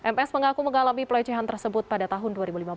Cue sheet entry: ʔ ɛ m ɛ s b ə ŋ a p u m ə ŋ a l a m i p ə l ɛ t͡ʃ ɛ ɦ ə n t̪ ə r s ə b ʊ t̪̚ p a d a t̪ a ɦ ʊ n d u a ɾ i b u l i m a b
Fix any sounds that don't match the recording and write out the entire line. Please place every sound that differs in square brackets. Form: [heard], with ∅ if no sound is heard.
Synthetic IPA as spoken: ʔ ɛ m ɛ s [m] ə ŋ a [k] u m ə ŋ a l a m i p ə l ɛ t͡ʃ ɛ ɦ [a] n t̪ ə r s ə b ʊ t̪̚ p a d a t̪ a ɦ ʊ n d u a ɾ i b u l i m a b